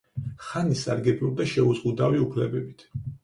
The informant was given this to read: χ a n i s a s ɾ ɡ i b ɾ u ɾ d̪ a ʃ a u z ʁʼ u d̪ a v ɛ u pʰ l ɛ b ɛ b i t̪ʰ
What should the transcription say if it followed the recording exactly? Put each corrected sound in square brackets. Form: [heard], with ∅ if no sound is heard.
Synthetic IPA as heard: χ a n i s a [∅] ɾ ɡ [ɛ] b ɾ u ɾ d̪ a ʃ [ɛ] u z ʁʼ u d̪ a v [i] u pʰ l ɛ b ɛ b i t̪ʰ